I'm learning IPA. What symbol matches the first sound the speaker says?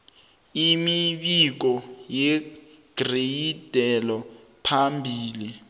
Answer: i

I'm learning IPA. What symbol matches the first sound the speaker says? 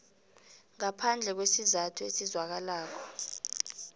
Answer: ŋ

